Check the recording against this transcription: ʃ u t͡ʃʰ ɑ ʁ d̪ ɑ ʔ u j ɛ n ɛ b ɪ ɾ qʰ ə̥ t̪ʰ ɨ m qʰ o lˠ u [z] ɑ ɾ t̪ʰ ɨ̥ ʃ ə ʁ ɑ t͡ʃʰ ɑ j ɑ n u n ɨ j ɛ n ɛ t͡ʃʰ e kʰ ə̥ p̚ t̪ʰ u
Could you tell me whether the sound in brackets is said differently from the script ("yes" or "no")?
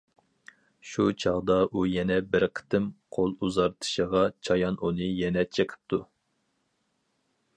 no